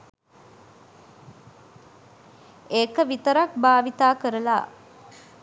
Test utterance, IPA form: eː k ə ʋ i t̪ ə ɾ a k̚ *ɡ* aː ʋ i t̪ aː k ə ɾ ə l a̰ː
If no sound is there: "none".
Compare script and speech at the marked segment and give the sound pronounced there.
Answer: b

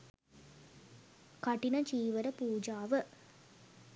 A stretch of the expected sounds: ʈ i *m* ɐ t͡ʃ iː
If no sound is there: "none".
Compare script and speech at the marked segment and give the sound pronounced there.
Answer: n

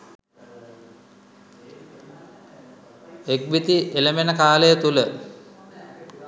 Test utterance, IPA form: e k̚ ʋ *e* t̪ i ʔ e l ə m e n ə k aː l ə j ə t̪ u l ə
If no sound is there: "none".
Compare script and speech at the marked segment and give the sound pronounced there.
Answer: i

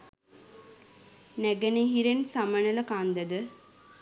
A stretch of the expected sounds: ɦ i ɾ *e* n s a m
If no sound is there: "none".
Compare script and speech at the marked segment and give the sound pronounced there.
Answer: e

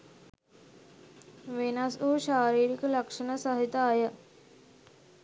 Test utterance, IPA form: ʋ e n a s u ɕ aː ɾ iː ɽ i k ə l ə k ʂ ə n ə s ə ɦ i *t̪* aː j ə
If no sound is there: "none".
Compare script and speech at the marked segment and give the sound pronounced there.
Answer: t̪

